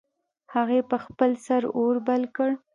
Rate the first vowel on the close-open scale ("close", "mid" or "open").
open